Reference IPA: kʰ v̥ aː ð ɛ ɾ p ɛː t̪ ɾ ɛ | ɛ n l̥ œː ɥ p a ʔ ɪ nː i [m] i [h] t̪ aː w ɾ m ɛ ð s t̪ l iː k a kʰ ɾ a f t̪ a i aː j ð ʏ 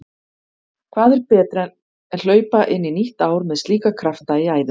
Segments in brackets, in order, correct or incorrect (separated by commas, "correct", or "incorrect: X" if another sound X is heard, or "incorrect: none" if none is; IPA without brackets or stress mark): incorrect: n, correct